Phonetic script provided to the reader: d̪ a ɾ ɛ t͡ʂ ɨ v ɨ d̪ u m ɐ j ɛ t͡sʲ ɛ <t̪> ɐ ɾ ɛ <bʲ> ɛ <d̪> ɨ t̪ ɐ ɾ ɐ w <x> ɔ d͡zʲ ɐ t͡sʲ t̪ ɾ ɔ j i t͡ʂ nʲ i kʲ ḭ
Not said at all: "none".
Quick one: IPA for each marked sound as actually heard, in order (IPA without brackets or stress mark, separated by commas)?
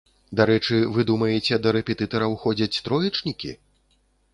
d̪, pʲ, t̪, x